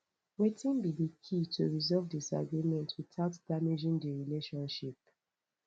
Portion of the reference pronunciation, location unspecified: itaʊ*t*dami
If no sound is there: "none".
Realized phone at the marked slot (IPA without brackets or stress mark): t